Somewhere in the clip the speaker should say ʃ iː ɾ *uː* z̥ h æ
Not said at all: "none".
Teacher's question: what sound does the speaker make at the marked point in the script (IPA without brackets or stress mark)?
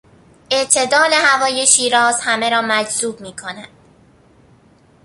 ɒː